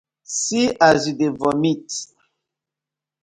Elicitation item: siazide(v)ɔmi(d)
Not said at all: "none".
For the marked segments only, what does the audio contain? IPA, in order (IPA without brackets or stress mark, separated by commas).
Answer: v, t